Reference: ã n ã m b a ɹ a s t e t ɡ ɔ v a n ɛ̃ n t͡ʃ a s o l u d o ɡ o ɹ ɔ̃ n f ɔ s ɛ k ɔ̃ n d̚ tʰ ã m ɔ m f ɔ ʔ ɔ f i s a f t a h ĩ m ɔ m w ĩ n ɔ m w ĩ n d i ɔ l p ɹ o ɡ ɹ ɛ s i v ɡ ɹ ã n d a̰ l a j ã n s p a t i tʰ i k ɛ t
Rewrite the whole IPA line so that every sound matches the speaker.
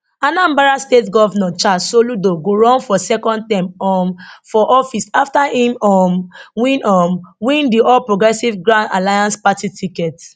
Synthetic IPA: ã n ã m b a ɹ a s t e t ɡ ɔ v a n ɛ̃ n t͡ʃ a s o l u d o ɡ o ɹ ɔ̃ n f ɔ s ɛ k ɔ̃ n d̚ t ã m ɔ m f ɔ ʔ ɔ f i s a f t a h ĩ m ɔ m w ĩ n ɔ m w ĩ n d i ɔ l p ɹ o ɡ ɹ ɛ s i v ɡ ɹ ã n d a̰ l a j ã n s p a t i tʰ i k ɛ t